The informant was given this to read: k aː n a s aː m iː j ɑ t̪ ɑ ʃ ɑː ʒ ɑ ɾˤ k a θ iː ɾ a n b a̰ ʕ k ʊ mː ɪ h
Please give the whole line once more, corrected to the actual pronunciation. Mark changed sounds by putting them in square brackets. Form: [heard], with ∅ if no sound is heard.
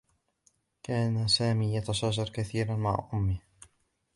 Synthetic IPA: k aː n a s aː m iː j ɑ t̪ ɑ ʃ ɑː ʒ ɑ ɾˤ k a θ iː ɾ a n [m] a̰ ʕ [ʔ] ʊ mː ɪ h